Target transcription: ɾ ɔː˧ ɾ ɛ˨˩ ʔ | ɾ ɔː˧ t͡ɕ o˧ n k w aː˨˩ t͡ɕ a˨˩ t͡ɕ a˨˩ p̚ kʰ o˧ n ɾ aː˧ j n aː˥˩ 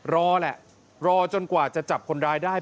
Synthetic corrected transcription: ɾ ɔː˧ l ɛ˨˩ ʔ | ɾ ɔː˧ t͡ɕ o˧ n k w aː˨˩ t͡ɕ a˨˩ t͡ɕ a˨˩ p̚ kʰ o˧ n ɾ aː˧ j d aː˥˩